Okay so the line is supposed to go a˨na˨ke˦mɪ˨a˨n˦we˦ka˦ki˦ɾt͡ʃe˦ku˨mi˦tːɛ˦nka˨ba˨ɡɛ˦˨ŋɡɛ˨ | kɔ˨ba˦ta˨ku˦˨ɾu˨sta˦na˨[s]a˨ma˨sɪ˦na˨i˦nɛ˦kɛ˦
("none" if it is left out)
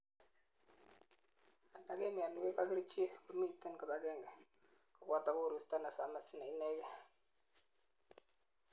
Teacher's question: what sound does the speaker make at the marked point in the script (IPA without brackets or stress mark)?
s